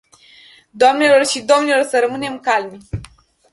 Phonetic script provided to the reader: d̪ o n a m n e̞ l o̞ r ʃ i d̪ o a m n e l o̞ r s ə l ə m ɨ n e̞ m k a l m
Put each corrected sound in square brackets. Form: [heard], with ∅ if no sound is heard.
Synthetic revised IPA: d̪ o [∅] a m n e̞ l o̞ r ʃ i d̪ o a m n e l o̞ r s ə [ɾ] ə m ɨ n e̞ m k a l m

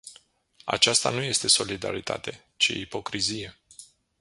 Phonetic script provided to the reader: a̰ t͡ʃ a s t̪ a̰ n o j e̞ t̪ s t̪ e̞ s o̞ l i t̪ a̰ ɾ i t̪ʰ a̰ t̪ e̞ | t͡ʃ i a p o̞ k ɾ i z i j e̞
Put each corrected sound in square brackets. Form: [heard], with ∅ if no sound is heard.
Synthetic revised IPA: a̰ t͡ʃ a s t̪ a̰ n [u] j e̞ [∅] s t̪ e̞ s o̞ l i [d̪] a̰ ɾ i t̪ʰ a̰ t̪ e̞ | t͡ʃ i [i] p o̞ k ɾ i z i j e̞

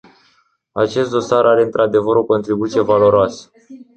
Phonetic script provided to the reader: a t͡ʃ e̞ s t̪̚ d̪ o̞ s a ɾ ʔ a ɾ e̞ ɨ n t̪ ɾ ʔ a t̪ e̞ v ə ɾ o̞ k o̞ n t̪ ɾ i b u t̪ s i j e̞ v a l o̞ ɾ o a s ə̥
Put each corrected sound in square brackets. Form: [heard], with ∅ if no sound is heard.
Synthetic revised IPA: a t͡ʃ e̞ s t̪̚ d̪ o̞ s a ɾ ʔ a ɾ e̞ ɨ n t̪ ɾ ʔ a [d̪] e̞ v ə ɾ o̞ k o̞ n t̪ ɾ i b u t̪ s i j e̞ v a l o̞ ɾ o a s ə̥

